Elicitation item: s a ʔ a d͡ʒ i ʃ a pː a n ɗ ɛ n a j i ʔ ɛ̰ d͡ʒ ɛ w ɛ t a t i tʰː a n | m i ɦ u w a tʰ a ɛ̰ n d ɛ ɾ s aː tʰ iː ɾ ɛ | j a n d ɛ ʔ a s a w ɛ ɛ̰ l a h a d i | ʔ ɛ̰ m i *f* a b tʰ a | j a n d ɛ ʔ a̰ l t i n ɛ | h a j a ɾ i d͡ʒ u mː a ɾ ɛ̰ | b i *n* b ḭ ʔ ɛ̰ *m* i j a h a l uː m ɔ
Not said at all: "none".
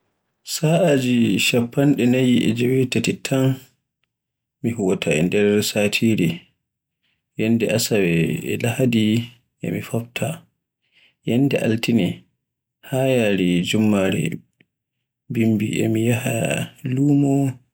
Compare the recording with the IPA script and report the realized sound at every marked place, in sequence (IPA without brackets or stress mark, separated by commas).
f, m, m